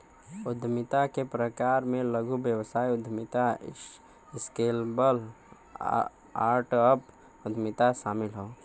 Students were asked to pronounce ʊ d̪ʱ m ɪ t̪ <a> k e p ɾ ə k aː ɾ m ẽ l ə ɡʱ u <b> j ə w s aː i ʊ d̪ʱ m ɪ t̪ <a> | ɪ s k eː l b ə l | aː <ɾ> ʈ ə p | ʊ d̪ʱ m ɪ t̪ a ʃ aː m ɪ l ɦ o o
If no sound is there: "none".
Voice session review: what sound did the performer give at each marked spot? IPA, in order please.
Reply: a, b, a, ɾ

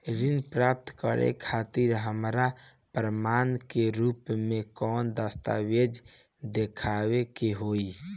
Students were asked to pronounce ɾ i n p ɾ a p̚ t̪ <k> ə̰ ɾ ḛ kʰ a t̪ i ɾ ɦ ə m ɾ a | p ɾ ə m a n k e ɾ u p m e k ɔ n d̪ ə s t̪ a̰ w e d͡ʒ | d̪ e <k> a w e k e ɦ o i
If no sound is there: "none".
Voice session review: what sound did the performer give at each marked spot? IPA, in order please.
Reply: k, kʰ

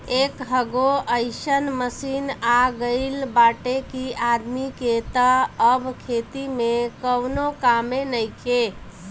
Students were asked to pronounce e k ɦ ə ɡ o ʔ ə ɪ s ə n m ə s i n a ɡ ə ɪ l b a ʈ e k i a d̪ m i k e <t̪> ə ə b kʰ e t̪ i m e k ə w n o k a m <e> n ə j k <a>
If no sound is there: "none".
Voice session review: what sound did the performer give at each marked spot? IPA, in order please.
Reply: t̪, e, e

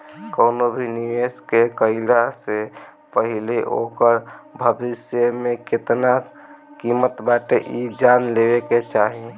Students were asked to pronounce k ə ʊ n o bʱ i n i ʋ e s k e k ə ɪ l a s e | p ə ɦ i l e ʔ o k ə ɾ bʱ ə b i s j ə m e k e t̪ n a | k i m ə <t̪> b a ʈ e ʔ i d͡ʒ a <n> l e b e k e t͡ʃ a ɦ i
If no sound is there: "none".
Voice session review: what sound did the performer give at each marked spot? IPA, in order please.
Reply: t̪, n

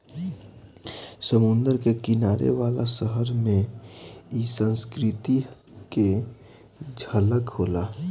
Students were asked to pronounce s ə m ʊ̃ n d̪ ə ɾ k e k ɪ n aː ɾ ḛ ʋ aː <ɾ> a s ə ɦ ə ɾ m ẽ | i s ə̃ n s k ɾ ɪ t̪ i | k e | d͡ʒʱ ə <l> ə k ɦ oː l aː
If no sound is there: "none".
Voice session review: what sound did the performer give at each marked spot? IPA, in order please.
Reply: l, l

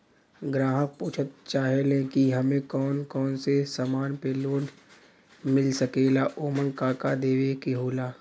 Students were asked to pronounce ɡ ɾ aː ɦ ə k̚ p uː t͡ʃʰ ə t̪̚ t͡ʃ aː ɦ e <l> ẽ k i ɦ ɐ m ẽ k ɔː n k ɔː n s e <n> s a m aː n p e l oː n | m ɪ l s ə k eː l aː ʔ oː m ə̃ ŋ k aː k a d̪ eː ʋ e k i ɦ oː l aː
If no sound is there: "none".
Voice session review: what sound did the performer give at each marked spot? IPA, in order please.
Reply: l, none

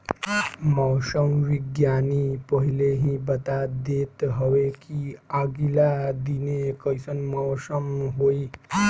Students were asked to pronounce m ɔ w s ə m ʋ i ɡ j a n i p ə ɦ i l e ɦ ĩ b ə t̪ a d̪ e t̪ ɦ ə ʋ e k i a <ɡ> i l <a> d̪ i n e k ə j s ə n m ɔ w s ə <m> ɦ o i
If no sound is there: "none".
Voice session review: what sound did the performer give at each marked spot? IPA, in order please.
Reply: ɡ, a, m

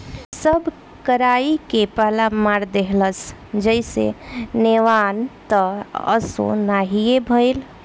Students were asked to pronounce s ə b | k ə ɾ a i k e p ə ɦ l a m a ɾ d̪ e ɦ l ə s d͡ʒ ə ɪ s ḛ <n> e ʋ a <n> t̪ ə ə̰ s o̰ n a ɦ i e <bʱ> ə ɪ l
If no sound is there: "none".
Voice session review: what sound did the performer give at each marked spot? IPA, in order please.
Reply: n, n, bʱ

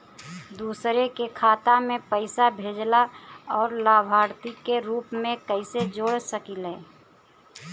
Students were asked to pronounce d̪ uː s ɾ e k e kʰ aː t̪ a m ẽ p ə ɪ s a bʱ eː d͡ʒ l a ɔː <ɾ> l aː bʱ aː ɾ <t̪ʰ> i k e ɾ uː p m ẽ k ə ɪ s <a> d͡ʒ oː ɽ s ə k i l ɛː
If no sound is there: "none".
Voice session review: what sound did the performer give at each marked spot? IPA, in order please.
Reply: ɾ, t̪, e

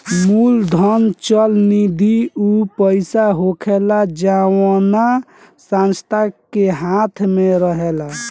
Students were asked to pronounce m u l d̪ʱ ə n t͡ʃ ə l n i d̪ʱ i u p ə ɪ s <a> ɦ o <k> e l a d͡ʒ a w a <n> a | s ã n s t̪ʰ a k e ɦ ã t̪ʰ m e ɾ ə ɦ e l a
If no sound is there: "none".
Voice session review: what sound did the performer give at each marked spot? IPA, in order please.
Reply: a, kʰ, n

